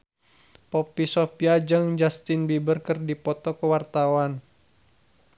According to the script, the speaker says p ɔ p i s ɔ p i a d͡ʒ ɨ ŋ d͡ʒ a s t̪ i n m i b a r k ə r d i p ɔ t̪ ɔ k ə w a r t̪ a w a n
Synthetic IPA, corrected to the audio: p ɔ p i s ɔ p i a d͡ʒ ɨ ŋ d͡ʒ a s t̪ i n b i b ə r k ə r d i p ɔ t̪ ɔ k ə w a r t̪ a w a n